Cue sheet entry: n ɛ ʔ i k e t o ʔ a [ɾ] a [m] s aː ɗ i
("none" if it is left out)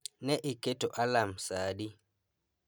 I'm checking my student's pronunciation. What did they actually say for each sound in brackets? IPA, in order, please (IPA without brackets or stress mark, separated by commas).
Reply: l, m